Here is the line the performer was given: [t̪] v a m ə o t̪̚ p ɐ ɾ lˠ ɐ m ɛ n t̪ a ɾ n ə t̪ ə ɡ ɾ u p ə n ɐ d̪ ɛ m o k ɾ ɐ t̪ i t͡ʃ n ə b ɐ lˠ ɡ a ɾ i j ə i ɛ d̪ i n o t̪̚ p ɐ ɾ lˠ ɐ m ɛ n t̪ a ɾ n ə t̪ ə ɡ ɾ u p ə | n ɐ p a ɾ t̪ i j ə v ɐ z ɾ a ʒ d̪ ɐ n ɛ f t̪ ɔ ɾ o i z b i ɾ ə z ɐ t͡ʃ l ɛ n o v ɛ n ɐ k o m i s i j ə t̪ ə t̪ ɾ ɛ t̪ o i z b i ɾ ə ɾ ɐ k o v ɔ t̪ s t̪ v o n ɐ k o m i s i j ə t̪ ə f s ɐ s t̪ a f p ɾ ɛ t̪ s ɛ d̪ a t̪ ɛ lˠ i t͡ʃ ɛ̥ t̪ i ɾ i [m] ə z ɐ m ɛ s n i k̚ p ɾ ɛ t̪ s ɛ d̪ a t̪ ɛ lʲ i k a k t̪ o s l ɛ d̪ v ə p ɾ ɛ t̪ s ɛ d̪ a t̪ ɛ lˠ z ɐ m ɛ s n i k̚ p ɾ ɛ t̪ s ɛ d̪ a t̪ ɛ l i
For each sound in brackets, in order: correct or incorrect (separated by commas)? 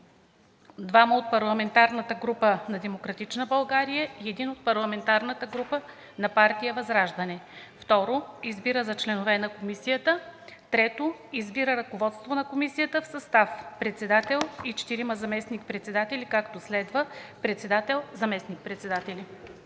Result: incorrect, correct